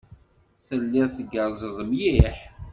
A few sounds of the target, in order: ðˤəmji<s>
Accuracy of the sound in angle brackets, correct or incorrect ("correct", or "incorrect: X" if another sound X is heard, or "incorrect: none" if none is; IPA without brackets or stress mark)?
incorrect: ħ